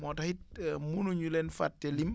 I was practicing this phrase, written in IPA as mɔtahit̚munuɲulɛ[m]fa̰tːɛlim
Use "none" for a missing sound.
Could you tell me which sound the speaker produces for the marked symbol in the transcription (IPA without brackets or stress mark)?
n